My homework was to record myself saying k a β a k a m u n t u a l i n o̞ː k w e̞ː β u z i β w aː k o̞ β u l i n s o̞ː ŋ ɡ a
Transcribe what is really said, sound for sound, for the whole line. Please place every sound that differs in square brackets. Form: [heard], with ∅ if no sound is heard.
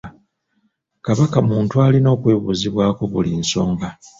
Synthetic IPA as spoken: k a β a k a m [uː] n t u a l i n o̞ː k w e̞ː β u z i β w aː k o̞ β u l i n s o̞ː ŋ ɡ a